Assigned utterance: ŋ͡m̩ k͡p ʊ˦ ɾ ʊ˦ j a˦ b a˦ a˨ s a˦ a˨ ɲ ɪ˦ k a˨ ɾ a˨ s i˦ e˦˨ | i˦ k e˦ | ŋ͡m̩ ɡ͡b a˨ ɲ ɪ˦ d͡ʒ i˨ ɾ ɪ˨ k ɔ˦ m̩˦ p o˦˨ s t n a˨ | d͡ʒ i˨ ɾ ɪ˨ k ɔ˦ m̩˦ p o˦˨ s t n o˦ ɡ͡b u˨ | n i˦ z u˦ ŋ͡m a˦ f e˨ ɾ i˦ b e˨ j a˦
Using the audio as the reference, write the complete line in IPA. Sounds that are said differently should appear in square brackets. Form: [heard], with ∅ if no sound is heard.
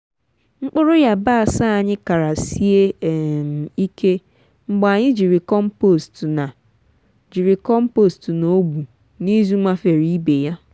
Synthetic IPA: ŋ͡m̩ k͡p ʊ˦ ɾ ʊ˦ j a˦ b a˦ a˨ s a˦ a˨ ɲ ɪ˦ k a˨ ɾ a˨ s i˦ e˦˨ | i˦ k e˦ | ŋ͡m̩ ɡ͡b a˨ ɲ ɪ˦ d͡ʒ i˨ ɾ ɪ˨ k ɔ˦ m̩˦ p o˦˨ s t n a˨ | d͡ʒ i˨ ɾ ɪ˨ k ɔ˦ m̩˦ p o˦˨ s t n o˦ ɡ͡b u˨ | n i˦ z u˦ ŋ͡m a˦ f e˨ ɾ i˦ b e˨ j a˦

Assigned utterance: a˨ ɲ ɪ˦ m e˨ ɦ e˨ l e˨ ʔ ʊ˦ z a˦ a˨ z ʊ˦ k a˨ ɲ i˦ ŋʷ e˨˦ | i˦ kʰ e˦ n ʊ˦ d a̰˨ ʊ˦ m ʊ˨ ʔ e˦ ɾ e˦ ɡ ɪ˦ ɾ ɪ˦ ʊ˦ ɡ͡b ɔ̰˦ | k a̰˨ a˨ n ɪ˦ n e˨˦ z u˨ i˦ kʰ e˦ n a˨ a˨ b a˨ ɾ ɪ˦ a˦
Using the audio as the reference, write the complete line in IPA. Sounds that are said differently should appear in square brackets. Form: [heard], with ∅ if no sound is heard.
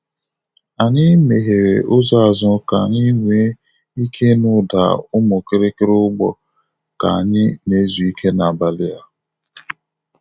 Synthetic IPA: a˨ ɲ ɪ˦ m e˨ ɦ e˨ [ɾ] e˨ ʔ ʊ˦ z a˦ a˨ z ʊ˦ k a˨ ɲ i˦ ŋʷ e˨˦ | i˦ kʰ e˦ n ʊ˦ d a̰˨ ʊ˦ m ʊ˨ [k] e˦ ɾ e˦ [k] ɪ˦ ɾ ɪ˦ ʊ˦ ɡ͡b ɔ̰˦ | k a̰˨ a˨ [ɲ] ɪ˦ n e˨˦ z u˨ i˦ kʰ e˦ n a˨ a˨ b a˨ [l] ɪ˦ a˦

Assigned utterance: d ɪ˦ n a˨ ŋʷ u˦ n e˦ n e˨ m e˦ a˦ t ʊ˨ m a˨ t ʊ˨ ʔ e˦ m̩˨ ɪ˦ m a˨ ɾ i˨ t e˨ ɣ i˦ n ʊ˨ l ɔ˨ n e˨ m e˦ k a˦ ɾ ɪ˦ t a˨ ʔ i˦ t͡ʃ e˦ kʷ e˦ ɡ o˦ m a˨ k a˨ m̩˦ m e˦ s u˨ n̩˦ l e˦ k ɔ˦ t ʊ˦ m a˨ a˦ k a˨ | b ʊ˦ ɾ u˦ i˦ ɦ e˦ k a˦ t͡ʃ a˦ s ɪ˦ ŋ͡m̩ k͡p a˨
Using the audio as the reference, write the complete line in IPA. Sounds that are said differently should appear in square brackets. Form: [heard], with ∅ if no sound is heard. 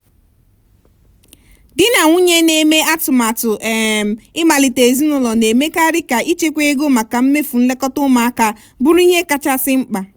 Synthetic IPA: d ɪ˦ n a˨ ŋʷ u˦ [ɲ] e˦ n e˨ m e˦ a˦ t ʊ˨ m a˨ t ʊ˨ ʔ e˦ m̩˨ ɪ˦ m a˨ [l] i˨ t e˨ [z] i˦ n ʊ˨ l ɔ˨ n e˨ m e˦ k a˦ ɾ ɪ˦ [k] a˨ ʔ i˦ t͡ʃ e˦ kʷ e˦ ɡ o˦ m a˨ k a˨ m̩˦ m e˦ [f] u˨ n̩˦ l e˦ k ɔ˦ t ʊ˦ m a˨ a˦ k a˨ | b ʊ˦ ɾ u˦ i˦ ɦ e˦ k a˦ t͡ʃ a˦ s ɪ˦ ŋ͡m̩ k͡p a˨

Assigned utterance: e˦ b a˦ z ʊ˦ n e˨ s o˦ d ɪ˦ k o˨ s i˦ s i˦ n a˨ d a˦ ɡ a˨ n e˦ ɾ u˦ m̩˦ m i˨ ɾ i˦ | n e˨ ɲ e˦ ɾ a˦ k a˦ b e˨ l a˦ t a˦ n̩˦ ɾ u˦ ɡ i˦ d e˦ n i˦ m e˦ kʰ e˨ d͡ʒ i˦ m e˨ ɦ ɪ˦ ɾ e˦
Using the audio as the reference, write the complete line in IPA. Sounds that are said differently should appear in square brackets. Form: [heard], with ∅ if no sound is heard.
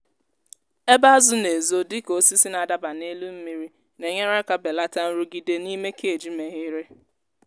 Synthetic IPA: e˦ b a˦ z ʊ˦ n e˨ [z] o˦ d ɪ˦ k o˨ s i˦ s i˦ n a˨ d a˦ [b] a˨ n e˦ [l] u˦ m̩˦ m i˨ ɾ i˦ | n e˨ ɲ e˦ ɾ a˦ k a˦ b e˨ l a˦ t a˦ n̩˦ ɾ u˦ ɡ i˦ d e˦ n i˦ m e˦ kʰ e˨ d͡ʒ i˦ m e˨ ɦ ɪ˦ ɾ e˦

